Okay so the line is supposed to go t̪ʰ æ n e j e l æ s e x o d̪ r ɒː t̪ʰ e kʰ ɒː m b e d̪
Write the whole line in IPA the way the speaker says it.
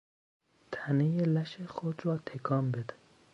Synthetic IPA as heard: t̪ʰ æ n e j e l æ ʃ e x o d̪ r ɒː t̪ʰ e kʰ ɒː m b e d̪